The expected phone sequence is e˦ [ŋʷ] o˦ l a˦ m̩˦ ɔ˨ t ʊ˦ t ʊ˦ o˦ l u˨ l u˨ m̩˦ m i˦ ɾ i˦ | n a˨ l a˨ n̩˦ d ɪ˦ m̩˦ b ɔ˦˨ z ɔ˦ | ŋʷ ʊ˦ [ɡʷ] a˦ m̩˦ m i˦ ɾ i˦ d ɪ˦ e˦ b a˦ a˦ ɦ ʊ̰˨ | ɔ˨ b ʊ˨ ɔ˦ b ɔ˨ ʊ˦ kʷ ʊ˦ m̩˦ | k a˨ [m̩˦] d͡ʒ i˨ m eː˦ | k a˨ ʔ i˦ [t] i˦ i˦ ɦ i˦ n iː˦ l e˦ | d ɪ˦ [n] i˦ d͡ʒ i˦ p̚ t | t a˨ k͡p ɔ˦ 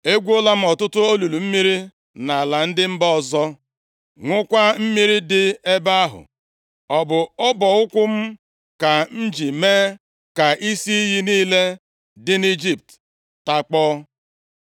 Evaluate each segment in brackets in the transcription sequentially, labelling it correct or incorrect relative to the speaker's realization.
incorrect: ɡʷ, incorrect: kʷ, incorrect: n̩˦, incorrect: s, correct

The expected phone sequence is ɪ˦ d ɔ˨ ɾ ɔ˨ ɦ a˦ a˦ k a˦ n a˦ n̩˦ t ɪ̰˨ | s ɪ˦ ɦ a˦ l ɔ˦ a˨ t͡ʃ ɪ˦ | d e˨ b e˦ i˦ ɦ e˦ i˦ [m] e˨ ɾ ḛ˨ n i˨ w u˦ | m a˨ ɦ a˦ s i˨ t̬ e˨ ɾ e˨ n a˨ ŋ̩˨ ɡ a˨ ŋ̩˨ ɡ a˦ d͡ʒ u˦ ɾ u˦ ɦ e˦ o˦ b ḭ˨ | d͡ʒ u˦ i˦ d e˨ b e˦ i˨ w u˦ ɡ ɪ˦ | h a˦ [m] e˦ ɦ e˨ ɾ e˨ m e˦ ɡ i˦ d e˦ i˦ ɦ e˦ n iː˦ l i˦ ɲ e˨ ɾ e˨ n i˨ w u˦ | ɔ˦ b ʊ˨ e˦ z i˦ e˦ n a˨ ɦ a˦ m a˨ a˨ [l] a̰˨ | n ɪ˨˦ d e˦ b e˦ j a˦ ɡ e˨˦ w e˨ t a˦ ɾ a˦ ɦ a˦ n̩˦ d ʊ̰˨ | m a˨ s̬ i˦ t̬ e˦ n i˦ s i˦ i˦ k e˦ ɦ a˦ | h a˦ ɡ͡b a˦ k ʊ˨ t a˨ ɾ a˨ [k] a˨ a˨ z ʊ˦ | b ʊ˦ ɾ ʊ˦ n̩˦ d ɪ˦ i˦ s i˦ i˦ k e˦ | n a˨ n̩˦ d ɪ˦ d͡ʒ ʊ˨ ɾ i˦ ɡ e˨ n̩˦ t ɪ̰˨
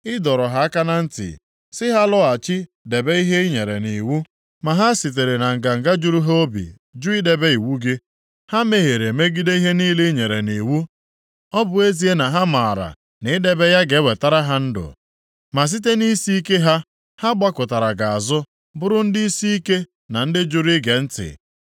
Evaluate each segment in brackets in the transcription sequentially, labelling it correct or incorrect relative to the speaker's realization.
incorrect: ɲ, correct, incorrect: ɾ, incorrect: ɡ

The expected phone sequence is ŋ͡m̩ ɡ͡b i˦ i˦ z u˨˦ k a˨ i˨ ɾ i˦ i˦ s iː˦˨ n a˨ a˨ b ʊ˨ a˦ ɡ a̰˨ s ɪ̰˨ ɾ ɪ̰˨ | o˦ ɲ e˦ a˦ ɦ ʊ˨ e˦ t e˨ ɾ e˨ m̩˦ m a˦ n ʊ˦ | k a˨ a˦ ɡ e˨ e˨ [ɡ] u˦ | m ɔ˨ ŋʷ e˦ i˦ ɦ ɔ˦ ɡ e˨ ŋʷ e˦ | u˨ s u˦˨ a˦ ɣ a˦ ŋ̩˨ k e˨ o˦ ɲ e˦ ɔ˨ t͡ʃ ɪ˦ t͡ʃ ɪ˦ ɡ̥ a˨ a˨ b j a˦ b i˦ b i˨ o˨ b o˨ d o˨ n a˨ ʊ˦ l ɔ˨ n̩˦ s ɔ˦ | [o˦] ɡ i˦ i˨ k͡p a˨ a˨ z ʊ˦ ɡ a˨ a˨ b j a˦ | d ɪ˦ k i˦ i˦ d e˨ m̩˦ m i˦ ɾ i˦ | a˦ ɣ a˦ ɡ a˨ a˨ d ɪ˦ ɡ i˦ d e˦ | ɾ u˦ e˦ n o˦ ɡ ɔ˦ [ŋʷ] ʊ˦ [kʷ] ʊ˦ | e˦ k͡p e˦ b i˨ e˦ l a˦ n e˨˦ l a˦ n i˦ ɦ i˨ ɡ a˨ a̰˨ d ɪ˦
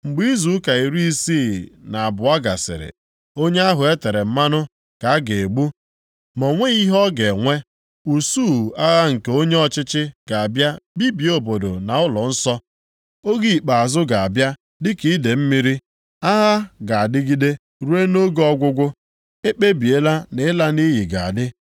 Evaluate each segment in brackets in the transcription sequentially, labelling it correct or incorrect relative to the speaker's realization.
incorrect: ɡ͡b, correct, incorrect: ɡʷ, incorrect: ɡʷ

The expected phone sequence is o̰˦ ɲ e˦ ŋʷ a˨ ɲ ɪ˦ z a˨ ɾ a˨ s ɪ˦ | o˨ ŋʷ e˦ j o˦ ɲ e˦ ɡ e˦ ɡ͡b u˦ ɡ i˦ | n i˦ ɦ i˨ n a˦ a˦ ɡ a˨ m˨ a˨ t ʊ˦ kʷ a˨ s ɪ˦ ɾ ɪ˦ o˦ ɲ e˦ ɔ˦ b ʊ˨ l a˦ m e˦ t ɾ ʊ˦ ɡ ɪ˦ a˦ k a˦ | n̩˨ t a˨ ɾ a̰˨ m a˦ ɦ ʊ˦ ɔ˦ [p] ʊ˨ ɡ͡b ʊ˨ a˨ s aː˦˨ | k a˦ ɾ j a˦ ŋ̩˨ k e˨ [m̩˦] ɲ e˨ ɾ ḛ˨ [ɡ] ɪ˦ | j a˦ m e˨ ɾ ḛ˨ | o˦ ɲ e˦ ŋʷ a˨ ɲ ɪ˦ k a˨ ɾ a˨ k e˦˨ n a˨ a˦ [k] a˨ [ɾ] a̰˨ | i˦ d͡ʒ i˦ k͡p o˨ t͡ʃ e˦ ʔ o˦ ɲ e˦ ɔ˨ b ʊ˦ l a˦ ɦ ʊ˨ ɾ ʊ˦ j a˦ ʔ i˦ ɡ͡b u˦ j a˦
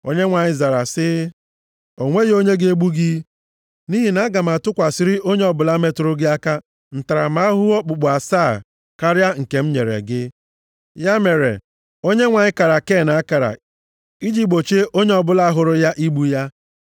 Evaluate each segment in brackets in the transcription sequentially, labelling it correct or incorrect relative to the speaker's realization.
incorrect: k͡p, correct, correct, correct, correct

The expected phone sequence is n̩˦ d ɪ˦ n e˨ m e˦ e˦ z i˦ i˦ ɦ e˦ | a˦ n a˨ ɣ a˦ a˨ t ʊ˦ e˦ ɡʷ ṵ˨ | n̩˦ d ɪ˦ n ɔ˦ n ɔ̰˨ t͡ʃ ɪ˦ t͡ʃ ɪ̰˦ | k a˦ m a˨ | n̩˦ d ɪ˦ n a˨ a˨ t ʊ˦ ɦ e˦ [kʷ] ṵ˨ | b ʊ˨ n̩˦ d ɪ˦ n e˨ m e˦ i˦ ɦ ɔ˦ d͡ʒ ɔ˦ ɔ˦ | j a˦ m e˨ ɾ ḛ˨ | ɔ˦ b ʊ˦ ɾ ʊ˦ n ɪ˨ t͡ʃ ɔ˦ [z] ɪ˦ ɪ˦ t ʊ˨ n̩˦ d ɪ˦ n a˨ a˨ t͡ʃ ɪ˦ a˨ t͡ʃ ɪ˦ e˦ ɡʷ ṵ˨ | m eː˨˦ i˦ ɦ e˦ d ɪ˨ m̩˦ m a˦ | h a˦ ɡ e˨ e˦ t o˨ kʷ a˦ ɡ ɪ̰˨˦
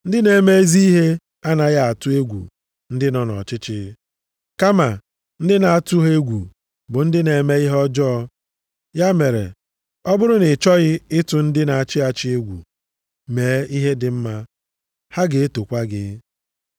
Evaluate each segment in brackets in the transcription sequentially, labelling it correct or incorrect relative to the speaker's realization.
incorrect: ɡʷ, incorrect: ɣ

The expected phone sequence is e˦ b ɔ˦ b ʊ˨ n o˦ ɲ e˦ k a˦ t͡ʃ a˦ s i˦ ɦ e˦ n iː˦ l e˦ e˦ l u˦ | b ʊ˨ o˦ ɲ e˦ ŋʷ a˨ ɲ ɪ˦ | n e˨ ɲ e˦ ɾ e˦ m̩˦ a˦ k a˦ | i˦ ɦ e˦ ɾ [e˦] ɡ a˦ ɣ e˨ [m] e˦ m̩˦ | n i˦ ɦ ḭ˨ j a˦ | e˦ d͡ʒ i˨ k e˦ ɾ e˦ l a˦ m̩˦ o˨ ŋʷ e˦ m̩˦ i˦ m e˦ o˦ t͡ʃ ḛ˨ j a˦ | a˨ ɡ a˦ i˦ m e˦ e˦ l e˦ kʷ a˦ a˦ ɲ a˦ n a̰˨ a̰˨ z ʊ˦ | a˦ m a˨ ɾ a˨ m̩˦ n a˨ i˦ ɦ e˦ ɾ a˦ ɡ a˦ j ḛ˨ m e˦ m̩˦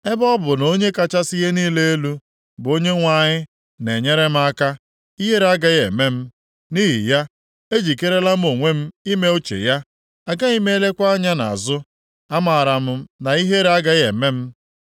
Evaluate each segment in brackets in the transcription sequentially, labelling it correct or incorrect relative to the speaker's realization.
incorrect: a˦, correct

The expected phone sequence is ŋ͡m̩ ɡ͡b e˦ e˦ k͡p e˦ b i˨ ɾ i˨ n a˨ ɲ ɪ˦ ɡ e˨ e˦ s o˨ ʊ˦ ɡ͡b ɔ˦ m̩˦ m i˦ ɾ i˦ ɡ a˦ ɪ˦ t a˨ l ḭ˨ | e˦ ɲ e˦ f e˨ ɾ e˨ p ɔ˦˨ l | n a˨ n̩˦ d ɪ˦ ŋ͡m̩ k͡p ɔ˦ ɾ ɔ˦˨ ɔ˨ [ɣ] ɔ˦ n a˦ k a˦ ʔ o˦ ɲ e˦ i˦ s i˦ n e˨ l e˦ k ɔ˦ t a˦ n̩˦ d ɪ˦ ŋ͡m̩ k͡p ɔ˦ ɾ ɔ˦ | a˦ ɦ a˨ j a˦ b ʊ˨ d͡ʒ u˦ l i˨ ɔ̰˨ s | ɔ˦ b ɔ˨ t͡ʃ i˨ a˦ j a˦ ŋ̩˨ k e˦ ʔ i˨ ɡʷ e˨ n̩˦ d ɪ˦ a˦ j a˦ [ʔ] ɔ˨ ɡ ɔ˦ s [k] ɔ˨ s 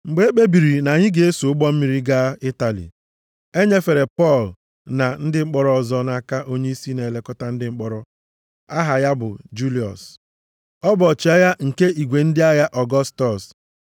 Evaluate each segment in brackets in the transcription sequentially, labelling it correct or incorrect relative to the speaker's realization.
incorrect: z, correct, incorrect: t

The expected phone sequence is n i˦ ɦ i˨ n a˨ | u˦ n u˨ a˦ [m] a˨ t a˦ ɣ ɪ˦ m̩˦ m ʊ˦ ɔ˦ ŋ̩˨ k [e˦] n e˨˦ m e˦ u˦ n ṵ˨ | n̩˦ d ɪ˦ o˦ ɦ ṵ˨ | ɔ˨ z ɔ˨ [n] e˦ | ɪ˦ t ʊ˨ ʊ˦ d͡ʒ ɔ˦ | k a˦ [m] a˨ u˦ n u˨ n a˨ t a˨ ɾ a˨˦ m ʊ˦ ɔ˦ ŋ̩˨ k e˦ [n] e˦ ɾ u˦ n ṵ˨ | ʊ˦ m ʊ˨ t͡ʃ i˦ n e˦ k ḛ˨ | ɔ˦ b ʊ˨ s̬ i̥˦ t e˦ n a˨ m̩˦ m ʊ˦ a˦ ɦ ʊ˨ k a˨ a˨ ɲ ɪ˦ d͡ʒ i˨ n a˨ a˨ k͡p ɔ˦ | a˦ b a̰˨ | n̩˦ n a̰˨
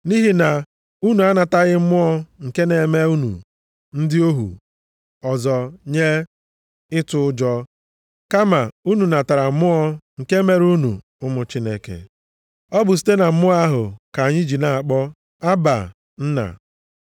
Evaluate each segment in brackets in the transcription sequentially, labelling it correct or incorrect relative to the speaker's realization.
incorrect: n, correct, incorrect: ɲ, correct, incorrect: m

